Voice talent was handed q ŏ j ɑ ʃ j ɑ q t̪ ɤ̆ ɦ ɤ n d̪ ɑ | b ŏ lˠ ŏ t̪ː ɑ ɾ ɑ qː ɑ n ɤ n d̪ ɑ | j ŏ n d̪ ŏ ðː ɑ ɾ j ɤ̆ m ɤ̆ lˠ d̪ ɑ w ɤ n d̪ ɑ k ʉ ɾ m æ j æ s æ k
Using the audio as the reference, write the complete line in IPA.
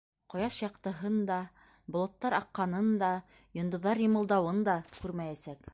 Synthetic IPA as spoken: q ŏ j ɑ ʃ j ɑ q t̪ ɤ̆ ɦ ɤ n d̪ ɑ | b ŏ lˠ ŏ t̪ː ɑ ɾ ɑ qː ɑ n ɤ n d̪ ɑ | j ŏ n d̪ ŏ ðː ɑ ɾ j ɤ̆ m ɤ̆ lˠ d̪ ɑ w ɤ n d̪ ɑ k ʉ ɾ m æ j æ s æ k